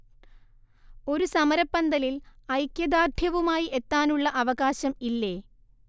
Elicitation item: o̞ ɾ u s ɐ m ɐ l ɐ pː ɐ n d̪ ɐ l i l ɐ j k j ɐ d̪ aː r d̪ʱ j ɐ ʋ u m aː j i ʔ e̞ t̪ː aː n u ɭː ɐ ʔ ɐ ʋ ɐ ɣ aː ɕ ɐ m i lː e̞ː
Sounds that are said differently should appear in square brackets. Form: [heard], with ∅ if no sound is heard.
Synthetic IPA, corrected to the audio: o̞ ɾ u s ɐ m ɐ [ɾ] ɐ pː ɐ n d̪ ɐ l i l ɐ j k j ɐ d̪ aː r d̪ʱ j ɐ ʋ u m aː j i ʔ e̞ t̪ː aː n u ɭː ɐ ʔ ɐ ʋ ɐ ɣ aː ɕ ɐ m i lː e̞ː